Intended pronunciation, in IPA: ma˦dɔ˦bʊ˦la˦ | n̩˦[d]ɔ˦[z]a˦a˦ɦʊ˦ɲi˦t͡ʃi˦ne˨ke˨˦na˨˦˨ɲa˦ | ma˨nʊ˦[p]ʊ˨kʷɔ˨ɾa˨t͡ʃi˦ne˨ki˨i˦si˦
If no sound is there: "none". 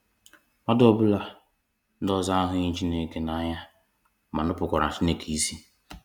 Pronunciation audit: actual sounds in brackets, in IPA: d, z, p

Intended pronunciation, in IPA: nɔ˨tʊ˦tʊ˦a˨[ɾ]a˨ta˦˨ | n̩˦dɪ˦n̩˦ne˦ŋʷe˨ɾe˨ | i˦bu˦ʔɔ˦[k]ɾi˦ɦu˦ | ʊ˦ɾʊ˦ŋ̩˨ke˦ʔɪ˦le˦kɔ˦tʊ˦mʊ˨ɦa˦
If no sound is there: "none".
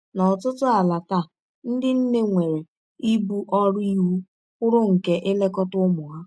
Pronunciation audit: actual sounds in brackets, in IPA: l, none

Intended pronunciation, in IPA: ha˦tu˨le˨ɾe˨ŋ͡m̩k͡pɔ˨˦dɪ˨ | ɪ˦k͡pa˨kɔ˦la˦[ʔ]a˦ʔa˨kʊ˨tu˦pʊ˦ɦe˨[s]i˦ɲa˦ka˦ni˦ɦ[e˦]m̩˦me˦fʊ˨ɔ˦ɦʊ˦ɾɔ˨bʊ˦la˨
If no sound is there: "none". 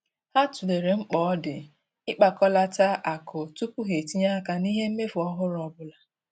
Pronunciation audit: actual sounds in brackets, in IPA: t, t, e˦

